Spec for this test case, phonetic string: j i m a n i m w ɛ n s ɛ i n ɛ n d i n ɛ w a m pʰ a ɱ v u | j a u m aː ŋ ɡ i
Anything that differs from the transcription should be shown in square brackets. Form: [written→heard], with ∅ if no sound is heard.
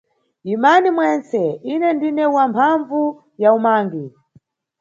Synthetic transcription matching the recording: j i m a n i m w ɛ n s ɛ i n ɛ n d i n ɛ w a m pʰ a ɱ v u | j a u m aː ŋ ɡ i